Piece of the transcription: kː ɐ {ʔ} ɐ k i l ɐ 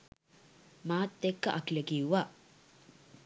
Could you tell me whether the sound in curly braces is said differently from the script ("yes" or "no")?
no